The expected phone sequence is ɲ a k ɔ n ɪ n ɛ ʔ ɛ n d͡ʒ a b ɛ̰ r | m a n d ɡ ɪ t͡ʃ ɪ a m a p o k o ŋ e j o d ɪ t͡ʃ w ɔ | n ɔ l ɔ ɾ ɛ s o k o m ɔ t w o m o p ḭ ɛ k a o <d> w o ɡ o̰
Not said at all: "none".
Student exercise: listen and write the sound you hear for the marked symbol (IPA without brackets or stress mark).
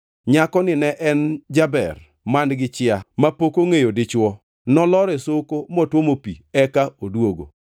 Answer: d